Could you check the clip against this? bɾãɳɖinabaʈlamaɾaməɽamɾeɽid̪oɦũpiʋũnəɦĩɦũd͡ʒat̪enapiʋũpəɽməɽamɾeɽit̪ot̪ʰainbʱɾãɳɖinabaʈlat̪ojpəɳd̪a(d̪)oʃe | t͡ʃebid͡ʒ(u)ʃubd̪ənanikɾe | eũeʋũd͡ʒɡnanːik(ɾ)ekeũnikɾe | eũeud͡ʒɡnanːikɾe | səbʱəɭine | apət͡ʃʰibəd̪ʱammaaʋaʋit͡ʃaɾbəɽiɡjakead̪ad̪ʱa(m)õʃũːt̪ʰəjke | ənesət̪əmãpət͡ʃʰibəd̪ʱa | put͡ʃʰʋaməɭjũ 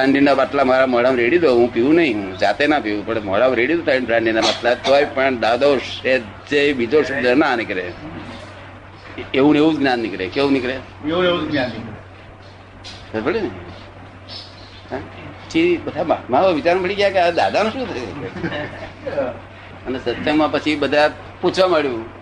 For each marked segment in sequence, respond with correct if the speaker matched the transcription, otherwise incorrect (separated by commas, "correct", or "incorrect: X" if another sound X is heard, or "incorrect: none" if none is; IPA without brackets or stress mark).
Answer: correct, incorrect: o, correct, incorrect: n